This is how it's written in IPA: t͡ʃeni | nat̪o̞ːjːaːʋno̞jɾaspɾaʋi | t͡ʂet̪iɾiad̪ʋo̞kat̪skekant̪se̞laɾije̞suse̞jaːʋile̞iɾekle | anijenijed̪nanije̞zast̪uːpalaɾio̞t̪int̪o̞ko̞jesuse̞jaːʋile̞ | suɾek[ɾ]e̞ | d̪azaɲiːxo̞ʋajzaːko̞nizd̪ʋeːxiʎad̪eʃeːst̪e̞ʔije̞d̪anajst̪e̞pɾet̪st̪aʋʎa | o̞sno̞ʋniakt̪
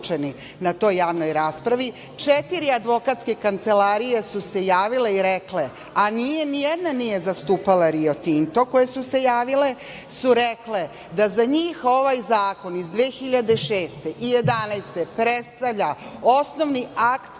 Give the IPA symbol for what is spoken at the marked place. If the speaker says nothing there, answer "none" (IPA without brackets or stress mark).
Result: l